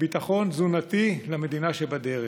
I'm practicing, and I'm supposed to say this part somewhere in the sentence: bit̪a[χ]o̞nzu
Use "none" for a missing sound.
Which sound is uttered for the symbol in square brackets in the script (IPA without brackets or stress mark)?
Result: χ